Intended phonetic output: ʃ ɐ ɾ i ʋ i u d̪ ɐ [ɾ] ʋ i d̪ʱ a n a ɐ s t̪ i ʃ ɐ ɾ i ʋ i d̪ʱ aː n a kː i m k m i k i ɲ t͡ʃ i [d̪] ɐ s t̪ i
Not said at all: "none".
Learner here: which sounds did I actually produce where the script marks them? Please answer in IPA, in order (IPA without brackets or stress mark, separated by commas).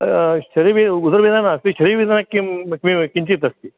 ɾ, t̪